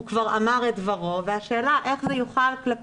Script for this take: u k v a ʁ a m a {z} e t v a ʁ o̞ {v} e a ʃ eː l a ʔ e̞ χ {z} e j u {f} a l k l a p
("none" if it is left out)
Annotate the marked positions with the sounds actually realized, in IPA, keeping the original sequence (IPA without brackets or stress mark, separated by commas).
ʁ, v, z, χ